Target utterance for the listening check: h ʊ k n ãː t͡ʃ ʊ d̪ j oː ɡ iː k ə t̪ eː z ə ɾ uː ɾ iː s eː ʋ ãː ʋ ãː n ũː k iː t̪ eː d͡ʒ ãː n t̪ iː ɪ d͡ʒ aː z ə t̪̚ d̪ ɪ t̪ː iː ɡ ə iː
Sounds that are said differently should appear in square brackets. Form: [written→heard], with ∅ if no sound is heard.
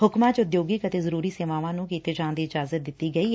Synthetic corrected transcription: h ʊ k [n→m] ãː t͡ʃ ʊ d̪ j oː ɡ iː k ə t̪ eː z ə ɾ uː ɾ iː s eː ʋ [ãː→aː] ʋ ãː n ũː k iː t̪ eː d͡ʒ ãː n [t̪→d̪] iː ɪ d͡ʒ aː z ə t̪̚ d̪ ɪ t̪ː iː ɡ ə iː